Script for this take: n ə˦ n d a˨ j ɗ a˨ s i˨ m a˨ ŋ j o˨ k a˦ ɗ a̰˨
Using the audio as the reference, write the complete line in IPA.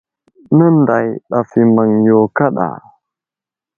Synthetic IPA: n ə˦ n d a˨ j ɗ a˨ f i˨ m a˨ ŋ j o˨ k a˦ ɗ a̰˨